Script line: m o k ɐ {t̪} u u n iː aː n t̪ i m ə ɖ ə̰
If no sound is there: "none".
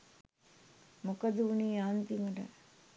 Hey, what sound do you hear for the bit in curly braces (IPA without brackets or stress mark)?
d̪